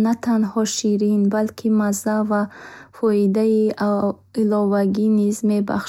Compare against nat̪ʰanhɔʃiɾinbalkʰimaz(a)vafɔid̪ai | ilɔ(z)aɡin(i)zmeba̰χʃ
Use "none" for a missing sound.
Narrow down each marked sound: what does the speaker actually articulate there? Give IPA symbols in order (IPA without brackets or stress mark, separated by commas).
a, v, i